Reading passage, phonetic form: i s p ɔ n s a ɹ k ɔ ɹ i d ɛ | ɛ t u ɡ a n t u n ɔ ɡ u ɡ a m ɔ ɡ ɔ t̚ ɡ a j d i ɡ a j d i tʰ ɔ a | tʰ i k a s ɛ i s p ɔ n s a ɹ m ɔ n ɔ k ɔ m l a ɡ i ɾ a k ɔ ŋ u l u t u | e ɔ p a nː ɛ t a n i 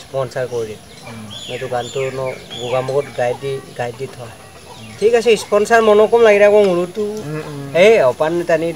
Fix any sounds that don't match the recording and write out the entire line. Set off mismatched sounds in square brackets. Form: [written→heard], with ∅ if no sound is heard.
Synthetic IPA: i s p ɔ n s a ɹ k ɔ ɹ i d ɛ | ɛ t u ɡ a n t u n ɔ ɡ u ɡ a m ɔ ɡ ɔ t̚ ɡ a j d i ɡ a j d i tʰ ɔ a | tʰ i k a s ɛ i s p ɔ n s a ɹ m ɔ n ɔ k ɔ m l a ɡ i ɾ a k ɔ ŋ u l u t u | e ɔ p a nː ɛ t a n i